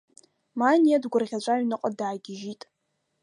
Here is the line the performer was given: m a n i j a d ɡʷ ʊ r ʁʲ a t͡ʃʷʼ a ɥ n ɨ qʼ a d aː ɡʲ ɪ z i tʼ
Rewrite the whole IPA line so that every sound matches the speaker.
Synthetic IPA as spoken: m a n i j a d ɡʷ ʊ r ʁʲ a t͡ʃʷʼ a ɥ n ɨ qʼ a d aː ɡʲ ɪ ʒ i tʼ